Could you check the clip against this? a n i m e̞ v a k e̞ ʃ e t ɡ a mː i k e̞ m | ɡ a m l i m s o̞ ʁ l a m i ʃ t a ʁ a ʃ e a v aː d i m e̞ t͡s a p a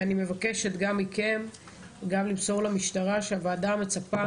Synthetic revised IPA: a n i m e̞ v a k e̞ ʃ e t ɡ a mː i k e̞ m | ɡ a m l i m s o̞ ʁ l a m i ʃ t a ʁ a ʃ e a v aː d a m e̞ t͡s a p a